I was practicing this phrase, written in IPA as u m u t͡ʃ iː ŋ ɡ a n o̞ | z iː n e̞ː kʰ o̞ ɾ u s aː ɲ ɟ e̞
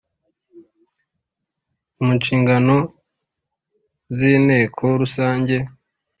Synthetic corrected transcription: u m u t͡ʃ iː ŋ ɡ a n o̞ | z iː n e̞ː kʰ o̞ ɾ u s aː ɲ ɟ e̞